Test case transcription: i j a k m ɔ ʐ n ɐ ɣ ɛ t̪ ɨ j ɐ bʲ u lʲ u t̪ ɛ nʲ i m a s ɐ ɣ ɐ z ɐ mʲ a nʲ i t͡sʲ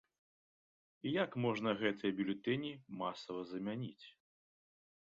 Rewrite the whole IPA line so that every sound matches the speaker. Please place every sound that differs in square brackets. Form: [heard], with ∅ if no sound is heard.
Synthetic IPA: i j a k m ɔ ʐ n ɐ ɣ ɛ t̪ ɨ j ɐ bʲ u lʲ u t̪ ɛ nʲ i m a s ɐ [v] ɐ z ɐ mʲ a nʲ i t͡sʲ